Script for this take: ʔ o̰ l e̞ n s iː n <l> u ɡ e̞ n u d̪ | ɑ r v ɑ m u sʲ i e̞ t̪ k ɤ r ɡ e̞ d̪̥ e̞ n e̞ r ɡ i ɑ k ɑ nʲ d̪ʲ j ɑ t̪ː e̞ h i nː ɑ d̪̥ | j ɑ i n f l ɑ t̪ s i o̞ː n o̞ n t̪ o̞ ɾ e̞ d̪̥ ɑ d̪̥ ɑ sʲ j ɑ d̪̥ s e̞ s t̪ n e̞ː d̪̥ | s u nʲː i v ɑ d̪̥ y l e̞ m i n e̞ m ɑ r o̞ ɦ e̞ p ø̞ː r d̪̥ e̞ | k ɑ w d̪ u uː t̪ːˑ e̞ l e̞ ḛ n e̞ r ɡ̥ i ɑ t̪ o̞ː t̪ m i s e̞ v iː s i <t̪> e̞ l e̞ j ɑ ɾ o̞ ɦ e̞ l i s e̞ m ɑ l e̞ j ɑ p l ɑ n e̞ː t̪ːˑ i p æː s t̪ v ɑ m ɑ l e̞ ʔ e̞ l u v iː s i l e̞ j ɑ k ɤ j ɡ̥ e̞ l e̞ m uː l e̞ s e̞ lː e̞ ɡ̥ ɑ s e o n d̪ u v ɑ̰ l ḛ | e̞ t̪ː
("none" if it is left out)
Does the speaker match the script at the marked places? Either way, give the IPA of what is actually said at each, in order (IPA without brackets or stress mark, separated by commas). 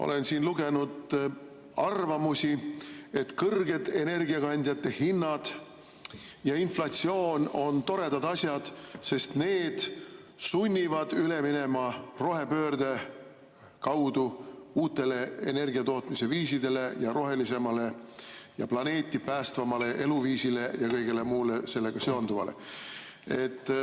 l, d̪